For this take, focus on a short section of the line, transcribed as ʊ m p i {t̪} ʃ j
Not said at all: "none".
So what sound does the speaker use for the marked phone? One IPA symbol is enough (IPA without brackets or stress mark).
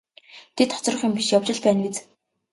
none